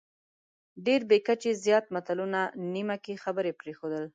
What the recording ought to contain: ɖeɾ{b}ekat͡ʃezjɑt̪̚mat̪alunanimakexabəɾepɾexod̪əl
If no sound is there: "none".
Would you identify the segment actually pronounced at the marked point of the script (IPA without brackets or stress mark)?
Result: b